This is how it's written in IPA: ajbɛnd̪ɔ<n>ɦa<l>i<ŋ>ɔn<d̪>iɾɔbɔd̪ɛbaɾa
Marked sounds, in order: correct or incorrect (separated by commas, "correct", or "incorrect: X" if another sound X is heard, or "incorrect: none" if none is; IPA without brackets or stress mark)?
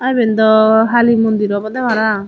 incorrect: none, correct, incorrect: m, correct